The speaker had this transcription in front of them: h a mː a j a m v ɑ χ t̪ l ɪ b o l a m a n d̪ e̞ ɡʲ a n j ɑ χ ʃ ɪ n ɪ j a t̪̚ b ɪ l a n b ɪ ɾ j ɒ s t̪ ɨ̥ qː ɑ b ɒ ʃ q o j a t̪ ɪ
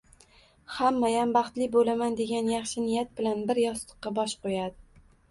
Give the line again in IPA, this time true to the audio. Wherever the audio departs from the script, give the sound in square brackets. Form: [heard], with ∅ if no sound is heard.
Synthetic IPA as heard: h a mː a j a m [b] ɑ χ t̪ l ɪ b o l a m a n d̪ e̞ ɡʲ a n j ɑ χ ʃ ɪ n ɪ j a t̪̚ b ɪ l a n b ɪ ɾ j ɒ s t̪ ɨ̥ qː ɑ b ɒ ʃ q o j a [d̪] ɪ